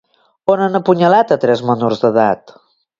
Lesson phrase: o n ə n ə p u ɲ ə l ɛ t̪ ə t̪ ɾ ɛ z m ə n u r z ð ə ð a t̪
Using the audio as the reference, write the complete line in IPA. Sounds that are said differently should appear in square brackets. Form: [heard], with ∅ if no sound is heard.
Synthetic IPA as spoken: o n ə n ə p u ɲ ə l [a] t̪ ə t̪ ɾ ɛ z m ə n u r z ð ə ð a t̪